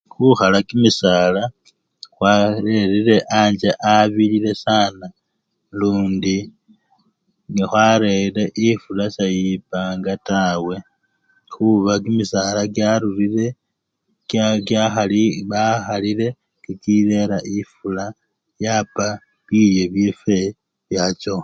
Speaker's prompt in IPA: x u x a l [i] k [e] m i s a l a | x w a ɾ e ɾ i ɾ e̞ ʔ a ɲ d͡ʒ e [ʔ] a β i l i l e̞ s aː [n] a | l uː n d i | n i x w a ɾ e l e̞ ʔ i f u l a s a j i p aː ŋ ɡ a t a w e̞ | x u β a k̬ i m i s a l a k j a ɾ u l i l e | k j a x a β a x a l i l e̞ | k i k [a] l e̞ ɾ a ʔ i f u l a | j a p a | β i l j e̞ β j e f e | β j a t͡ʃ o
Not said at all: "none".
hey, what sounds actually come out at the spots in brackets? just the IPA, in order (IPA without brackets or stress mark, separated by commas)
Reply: a, i, ʔ, n, i